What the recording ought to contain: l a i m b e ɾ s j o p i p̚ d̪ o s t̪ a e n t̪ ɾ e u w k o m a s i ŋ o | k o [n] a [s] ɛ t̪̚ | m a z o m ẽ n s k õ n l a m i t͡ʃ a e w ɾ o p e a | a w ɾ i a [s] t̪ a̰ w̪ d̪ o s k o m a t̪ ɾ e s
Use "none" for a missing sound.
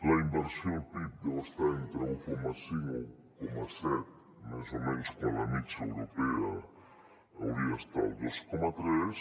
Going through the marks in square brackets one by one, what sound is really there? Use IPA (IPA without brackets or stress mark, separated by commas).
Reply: m, s, s